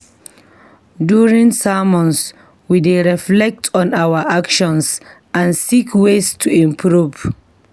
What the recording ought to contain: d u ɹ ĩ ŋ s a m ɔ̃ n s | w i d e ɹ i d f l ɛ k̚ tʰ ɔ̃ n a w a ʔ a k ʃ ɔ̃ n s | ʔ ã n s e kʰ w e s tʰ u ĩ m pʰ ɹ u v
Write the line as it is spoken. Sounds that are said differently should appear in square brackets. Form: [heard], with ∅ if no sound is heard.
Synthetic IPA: d u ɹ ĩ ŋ s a m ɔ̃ n s | w i d e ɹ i [∅] f l ɛ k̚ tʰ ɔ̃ n a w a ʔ a k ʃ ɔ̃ n s | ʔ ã n s [i] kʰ w e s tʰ u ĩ m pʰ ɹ u v